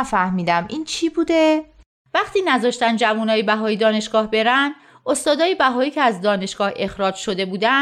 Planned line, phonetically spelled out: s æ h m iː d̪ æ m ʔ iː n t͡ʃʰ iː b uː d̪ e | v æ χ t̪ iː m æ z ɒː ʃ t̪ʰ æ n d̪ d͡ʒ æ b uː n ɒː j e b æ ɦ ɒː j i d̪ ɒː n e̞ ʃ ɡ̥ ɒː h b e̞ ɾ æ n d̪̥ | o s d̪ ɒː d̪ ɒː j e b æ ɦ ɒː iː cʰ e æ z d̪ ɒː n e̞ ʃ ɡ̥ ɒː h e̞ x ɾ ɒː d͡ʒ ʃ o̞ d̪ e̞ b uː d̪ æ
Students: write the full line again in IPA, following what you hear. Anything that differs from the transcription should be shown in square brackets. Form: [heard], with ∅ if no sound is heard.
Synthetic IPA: [f] æ h m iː d̪ æ m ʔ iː n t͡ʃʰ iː b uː d̪ e | v æ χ t̪ iː [n] æ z ɒː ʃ [t̪] æ n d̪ d͡ʒ æ [v] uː n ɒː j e b æ ɦ ɒː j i d̪ ɒː n e̞ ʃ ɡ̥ ɒː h b e̞ ɾ æ n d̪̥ | o s [t̪] ɒː d̪ ɒː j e b æ ɦ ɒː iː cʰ e æ z d̪ ɒː n e̞ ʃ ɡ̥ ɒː h e̞ x ɾ ɒː d͡ʒ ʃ o̞ d̪ e̞ b uː d̪ æ